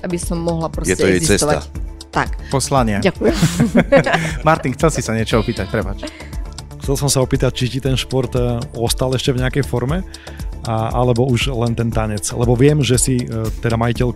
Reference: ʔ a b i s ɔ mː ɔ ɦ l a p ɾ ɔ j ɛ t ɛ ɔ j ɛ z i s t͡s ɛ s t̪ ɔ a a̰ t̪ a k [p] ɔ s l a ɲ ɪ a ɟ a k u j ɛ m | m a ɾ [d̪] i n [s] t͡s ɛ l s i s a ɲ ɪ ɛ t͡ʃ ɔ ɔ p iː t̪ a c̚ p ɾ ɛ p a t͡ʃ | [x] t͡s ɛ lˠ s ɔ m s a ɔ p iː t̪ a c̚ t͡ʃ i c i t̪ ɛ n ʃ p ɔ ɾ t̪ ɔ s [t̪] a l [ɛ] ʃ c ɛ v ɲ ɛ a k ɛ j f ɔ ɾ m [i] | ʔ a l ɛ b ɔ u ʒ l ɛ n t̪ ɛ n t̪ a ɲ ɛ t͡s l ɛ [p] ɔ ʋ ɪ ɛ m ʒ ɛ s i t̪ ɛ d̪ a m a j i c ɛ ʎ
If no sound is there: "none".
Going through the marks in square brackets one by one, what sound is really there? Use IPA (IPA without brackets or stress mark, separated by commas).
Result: p, t̪, x, x, t̪, ɛ, ɛ, b